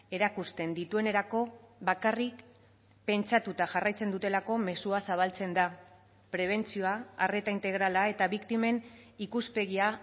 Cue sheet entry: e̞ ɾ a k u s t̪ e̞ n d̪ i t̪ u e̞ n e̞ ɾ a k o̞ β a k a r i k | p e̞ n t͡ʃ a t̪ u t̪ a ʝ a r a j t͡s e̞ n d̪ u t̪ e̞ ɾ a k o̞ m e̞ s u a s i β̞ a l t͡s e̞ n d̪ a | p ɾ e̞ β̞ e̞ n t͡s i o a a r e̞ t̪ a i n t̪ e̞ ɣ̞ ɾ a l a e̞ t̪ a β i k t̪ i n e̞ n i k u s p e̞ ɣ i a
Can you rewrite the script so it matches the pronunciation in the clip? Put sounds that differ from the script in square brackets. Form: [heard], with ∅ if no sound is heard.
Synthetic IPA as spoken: e̞ ɾ a k u s t̪ e̞ n d̪ i t̪ u e̞ n e̞ ɾ a k o̞ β a k a r i k | p e̞ n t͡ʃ a t̪ u t̪ a ʝ a r a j t͡s e̞ n d̪ u t̪ e̞ [l] a k o̞ m e̞ s u a s [a] β̞ a l t͡s e̞ n d̪ a | p ɾ e̞ β̞ e̞ n t͡s i o a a r e̞ t̪ a i n t̪ e̞ ɣ̞ ɾ a l a e̞ t̪ a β i k t̪ i [m] e̞ n i k u s p e̞ ɣ i a